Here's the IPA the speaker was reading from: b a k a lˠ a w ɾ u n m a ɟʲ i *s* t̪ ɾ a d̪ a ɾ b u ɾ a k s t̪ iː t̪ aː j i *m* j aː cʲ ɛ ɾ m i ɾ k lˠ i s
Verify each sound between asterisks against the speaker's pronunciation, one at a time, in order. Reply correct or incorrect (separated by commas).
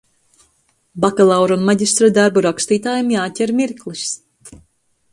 correct, correct